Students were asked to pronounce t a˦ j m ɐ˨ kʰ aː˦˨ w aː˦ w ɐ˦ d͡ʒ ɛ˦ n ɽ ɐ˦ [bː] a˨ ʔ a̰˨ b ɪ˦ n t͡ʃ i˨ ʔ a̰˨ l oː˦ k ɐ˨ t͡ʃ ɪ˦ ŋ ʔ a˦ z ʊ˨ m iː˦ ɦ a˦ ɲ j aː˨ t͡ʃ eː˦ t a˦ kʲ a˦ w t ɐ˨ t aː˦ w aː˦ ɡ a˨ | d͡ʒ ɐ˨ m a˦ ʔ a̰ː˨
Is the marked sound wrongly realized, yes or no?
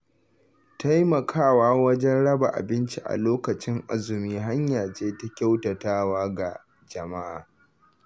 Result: yes